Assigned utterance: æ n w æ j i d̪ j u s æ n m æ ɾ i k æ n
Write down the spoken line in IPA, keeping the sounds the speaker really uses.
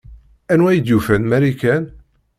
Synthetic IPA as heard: æ n w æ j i d̪ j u f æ n m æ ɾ i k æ n